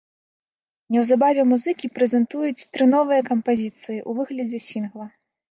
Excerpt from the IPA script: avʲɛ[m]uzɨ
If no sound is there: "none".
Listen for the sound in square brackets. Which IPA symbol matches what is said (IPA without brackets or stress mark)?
m